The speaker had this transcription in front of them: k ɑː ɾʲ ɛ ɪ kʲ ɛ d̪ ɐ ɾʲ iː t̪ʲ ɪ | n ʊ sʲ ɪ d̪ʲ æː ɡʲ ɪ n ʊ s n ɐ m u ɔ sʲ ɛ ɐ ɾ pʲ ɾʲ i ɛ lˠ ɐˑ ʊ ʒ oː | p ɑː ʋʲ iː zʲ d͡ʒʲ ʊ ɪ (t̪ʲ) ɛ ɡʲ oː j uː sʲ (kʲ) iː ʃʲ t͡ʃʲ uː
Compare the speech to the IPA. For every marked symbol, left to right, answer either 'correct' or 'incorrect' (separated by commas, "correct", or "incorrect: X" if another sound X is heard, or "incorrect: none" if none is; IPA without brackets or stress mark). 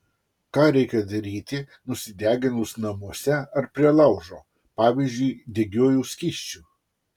incorrect: d̪ʲ, correct